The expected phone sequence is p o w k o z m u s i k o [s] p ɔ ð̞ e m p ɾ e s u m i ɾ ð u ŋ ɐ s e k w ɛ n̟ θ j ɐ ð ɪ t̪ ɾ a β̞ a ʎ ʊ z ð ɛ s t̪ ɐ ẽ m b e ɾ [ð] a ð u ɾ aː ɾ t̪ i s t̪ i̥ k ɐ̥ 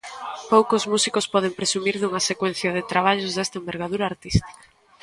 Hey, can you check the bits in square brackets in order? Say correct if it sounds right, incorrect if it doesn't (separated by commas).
correct, incorrect